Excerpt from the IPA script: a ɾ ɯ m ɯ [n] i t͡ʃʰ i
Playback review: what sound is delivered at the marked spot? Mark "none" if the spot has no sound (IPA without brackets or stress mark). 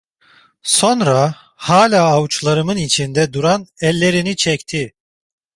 n